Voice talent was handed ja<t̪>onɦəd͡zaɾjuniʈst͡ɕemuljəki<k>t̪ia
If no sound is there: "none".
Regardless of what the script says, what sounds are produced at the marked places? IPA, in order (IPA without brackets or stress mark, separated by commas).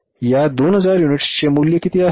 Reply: d̪, none